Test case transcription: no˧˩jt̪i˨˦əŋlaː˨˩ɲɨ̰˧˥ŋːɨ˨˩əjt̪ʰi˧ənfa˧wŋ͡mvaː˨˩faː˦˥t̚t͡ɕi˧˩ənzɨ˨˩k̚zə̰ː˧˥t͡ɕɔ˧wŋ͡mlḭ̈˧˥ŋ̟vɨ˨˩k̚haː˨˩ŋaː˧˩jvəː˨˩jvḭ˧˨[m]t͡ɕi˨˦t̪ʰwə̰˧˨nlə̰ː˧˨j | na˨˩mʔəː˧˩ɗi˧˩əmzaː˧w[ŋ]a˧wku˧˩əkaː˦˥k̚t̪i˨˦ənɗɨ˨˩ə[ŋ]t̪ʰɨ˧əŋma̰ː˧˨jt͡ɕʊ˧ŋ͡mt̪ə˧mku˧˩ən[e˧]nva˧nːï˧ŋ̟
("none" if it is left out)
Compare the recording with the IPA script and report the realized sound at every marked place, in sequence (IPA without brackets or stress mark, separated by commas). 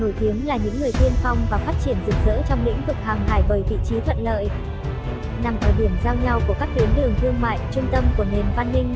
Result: none, ɲ, ŋ, e˨˩